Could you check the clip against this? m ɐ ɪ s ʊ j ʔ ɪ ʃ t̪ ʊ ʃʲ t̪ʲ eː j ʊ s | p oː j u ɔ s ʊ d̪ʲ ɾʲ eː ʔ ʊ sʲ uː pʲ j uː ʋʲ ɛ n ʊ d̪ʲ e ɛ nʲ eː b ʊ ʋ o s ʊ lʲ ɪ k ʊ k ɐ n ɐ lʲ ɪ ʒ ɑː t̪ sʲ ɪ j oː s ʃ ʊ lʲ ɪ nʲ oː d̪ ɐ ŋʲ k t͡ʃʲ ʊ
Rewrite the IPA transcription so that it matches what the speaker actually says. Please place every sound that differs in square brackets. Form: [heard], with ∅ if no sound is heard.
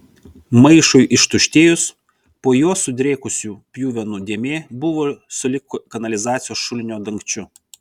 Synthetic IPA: m ɐ ɪ [ʃ] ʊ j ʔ ɪ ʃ t̪ ʊ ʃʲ t̪ʲ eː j ʊ s | p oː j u ɔ s ʊ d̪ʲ ɾʲ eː [k] ʊ sʲ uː pʲ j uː ʋʲ ɛ n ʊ d̪ʲ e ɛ [mʲ] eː b ʊ ʋ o s ʊ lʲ ɪ k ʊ k ɐ n ɐ lʲ ɪ [z] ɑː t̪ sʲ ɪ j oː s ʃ ʊ lʲ ɪ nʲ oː d̪ ɐ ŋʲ k t͡ʃʲ ʊ